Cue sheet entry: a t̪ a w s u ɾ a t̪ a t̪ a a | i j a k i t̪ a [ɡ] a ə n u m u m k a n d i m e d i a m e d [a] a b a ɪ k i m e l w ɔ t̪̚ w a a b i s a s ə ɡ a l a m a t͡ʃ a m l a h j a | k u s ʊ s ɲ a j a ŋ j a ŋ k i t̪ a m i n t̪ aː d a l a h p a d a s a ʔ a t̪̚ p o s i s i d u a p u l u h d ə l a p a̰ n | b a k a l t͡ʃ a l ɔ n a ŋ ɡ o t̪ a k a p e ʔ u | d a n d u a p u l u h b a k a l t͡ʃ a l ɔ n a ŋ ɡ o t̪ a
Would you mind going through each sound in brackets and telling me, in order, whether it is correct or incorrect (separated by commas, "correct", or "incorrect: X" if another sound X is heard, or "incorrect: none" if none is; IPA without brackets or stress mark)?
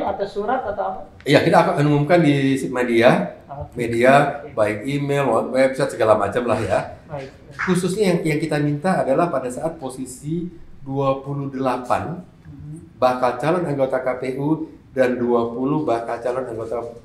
incorrect: k, incorrect: i